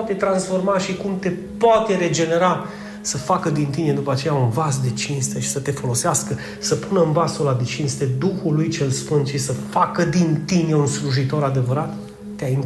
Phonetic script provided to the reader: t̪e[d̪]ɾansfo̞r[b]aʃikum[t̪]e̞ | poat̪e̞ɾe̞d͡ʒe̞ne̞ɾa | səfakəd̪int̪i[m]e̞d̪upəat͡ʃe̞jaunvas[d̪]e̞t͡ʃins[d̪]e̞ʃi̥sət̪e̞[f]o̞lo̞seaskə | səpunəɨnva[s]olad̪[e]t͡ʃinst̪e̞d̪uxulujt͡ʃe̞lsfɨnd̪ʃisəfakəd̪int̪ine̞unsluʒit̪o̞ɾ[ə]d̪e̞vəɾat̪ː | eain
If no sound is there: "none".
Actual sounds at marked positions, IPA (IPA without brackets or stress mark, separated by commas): t̪, m, t̪, n, d̪, t̪, f, s, e, a